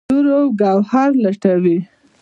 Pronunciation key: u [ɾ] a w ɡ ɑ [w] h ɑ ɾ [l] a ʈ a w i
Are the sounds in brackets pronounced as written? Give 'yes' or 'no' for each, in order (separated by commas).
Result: yes, yes, yes